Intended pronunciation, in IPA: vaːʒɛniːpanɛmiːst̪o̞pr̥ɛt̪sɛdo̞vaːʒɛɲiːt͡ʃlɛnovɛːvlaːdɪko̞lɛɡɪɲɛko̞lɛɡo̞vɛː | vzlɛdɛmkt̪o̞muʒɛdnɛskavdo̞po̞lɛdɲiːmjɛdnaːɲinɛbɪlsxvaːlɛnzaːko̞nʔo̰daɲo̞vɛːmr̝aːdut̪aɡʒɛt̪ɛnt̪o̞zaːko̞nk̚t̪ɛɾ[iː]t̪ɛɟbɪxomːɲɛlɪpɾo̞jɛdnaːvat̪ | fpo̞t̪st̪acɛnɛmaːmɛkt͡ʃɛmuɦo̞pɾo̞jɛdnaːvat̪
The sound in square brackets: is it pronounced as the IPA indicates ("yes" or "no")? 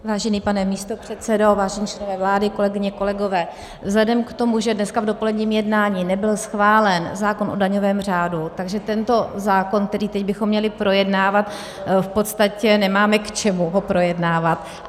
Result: yes